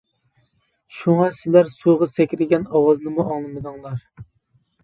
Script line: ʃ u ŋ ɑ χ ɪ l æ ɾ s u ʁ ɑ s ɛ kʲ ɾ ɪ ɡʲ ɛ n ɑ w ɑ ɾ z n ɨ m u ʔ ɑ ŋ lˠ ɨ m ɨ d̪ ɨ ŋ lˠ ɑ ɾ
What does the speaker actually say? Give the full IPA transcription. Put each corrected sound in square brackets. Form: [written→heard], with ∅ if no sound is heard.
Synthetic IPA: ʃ u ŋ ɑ [χ→s] ɪ l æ ɾ s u ʁ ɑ s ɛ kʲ ɾ ɪ ɡʲ ɛ n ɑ w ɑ [ɾ→∅] z n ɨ m u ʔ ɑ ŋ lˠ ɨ m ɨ d̪ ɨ ŋ lˠ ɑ ɾ